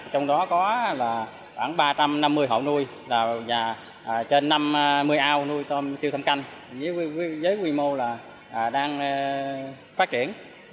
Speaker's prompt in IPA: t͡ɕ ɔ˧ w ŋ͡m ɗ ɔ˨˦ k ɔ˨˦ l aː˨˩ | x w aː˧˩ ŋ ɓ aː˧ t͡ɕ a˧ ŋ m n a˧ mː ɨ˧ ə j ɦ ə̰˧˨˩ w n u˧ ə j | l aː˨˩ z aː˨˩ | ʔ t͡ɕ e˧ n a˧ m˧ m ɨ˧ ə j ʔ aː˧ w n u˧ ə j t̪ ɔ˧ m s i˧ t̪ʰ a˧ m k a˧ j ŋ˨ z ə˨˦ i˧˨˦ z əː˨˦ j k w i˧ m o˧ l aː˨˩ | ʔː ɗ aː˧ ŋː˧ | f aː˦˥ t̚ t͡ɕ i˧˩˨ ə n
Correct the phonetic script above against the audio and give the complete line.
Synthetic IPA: t͡ɕ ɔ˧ w ŋ͡m ɗ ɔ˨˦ k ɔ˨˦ l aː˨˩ | x w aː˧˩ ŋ ɓ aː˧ t͡ɕ a˧ m n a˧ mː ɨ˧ ə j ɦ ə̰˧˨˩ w n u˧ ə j | l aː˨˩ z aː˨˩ | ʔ t͡ɕ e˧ nː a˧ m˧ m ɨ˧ ə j ʔ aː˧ w n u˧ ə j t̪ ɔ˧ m s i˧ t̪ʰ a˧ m k a˧ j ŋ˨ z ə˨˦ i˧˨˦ z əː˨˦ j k w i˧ m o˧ l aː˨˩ | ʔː ɗ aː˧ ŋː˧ | f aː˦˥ t̚ t͡ɕ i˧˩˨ ə n